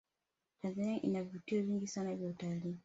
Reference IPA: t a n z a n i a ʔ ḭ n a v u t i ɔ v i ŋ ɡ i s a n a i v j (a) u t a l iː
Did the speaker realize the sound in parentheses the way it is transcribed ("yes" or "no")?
yes